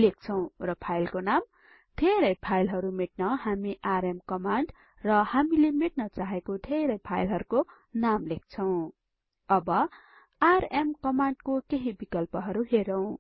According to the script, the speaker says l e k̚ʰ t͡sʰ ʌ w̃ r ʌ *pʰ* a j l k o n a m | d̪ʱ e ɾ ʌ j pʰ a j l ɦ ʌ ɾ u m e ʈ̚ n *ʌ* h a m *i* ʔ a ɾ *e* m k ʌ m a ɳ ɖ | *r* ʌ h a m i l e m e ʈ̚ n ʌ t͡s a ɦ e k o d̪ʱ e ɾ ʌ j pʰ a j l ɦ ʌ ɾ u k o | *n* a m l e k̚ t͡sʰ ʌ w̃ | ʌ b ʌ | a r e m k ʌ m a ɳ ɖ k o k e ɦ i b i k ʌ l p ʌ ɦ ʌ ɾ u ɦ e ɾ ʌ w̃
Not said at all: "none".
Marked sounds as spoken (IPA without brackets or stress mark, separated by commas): pʰ, ʌ, i, e, r, n